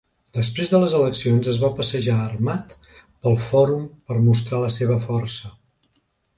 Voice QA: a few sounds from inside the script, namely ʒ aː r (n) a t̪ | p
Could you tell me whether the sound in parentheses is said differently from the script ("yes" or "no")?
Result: yes